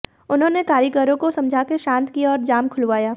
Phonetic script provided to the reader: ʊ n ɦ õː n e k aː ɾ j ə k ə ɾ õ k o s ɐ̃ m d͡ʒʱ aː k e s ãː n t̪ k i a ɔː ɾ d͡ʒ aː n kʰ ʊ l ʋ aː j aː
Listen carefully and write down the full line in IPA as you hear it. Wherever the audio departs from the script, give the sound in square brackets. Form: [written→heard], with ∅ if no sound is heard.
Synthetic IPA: ʊ n ɦ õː n e k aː ɾ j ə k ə ɾ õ k o s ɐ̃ m d͡ʒʱ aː k e [s→ʃ] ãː n t̪ k i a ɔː ɾ d͡ʒ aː [n→m] kʰ ʊ l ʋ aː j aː